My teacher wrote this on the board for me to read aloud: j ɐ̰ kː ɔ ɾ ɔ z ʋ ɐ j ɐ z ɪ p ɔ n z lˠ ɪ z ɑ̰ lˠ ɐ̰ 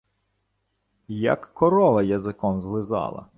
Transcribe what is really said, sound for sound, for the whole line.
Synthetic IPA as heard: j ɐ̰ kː ɔ ɾ ɔ ʋ ɐ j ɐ z ɪ k ɔ m z lˠ ɪ z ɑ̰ lˠ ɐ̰

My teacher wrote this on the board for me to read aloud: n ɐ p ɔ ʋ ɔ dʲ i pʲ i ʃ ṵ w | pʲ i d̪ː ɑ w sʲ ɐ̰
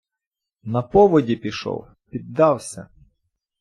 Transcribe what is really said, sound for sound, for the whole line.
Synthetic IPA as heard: n ɐ p ɔ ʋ ɔ dʲ i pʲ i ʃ ɔ̰ w | pʲ i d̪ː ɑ w sʲ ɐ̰

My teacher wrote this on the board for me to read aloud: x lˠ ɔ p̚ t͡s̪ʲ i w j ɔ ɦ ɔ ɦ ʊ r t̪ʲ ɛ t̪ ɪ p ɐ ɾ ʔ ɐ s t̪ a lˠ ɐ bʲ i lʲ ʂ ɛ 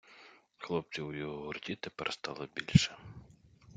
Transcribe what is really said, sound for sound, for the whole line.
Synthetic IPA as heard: x lˠ ɔ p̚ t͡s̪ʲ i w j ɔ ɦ ɔ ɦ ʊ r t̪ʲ i t̪ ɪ p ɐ ɾ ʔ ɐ s t̪ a lˠ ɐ bʲ i lʲ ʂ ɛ

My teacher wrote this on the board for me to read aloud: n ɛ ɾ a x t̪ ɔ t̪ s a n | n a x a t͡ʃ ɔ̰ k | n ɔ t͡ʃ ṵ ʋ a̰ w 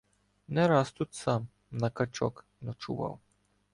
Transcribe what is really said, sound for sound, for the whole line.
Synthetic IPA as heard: n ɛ ɾ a s t̪ u t̪ s a m | n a k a t͡ʃ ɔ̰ k | n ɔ t͡ʃ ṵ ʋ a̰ w

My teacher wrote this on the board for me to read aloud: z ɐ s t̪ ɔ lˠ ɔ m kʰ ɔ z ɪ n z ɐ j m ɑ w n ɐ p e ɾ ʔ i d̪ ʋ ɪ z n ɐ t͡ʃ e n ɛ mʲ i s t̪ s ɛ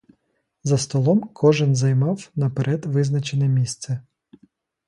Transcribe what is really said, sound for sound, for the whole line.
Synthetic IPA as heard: z ɐ s t̪ ɔ lˠ ɔ m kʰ ɔ ʒ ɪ n z ɐ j m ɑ w n ɐ p e ɾ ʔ ɛ d̪ ʋ ɪ z n ɐ t͡ʃ e n ɛ mʲ i s t̪ s ɛ

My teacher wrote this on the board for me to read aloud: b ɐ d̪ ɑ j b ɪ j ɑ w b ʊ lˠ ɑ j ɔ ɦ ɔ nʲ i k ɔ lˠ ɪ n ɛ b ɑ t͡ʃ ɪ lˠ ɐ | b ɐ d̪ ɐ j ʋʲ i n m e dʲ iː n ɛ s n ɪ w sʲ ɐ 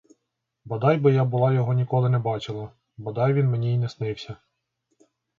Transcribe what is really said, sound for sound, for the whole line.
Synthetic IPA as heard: b ɐ d̪ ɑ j b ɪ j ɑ b ʊ lˠ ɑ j ɔ ɦ ɔ nʲ i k ɔ lˠ ɪ n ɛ b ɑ t͡ʃ ɪ lˠ ɐ | b ɐ d̪ ɑ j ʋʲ i n m e nʲ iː n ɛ s n ɪ w sʲ ɐ

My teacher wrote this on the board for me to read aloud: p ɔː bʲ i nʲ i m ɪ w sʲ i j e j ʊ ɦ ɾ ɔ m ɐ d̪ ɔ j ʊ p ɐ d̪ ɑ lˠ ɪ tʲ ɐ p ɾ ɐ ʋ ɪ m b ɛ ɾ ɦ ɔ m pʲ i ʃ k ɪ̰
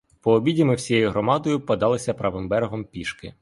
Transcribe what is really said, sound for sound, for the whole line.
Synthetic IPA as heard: p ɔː bʲ i dʲ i m ɪ w sʲ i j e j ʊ ɦ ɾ ɔ m ɑ d̪ ɔ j ʊ p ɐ d̪ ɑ lˠ ɪ sʲ ɐ p ɾ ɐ ʋ ɪ m b ɛ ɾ ɦ ɔ m pʲ i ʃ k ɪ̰

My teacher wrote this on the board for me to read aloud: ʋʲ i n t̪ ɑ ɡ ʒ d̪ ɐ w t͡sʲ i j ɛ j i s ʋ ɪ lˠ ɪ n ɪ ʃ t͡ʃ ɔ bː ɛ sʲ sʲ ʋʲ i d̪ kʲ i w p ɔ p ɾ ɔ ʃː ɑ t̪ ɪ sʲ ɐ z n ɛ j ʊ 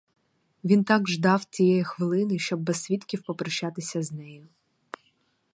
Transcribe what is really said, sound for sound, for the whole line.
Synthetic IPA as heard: ʋʲ i n t̪ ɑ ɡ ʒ d̪ ɑ w t͡sʲ i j ɛ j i x ʋ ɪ lˠ ɪ n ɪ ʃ t͡ʃ ɔ bː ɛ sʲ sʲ ʋʲ i t̪ kʲ i w p ɔ p ɾ ɔ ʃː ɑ t̪ ɪ sʲ ɐ z n ɛ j ʊ

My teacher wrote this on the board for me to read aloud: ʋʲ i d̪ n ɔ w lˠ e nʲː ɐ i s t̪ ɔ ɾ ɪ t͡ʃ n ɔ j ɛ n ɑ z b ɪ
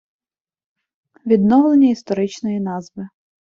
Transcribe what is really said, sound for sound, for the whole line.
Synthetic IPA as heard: ʋʲ i d̪ n ɔ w lˠ e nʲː ɐ i s t̪ ɔ ɾ ɪ t͡ʃ n ɔ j i n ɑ z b ɪ

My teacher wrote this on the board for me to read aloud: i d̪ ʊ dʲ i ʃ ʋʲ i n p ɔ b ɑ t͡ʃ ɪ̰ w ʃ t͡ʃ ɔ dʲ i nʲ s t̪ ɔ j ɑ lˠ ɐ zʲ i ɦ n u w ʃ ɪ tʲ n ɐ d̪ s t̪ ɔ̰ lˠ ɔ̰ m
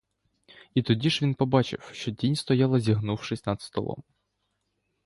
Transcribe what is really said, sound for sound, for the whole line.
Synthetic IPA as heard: i t̪ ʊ dʲ i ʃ ʋʲ i n p ɔ b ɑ t͡ʃ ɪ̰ w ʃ t͡ʃ ɔ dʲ i nʲ s t̪ ɔ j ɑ lˠ ɐ zʲ i ɦ n u w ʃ ɪ sʲ n ɐ d̪ s t̪ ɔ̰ lˠ ɔ̰ m

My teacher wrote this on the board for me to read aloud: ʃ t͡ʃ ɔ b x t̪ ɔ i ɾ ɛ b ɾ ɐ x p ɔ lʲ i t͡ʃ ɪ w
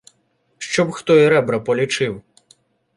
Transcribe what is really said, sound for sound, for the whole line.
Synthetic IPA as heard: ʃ t͡ʃ ɔ b x t̪ ɔ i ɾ ɛ b ɾ ɐ p ɔ lʲ i t͡ʃ ɪ w

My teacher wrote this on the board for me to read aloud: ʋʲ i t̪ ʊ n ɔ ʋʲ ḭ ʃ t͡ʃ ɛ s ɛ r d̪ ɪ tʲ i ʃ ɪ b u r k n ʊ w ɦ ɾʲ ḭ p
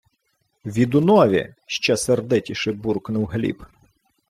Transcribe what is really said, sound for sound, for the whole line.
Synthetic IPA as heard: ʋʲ i d̪ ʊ n ɔ ʋʲ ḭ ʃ t͡ʃ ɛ s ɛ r d̪ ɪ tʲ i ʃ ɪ b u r k n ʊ w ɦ lʲ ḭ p

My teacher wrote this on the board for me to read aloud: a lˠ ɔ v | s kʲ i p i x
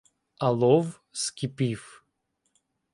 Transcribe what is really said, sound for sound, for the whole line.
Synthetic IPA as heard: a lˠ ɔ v | s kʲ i p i f

